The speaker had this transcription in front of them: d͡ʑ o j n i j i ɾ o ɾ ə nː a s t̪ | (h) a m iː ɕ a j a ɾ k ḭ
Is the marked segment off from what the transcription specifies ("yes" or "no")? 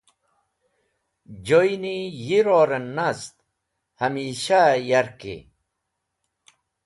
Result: no